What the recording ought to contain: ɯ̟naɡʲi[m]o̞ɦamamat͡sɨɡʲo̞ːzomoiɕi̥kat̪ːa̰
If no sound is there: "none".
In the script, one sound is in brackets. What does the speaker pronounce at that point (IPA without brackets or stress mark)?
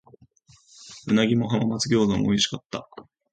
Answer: m